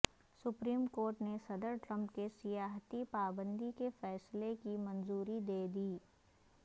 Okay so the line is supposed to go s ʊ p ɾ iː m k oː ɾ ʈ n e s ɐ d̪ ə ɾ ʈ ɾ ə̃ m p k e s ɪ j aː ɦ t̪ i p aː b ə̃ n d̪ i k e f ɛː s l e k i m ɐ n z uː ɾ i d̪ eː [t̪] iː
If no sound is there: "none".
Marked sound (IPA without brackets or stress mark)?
d̪